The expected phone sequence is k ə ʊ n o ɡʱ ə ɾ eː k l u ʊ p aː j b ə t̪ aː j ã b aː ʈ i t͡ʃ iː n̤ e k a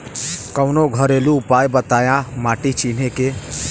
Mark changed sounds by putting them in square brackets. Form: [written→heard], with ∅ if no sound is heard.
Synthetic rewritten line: k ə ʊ n o ɡʱ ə ɾ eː [k→∅] l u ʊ p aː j b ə t̪ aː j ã [b→m] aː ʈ i t͡ʃ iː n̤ e k [a→e]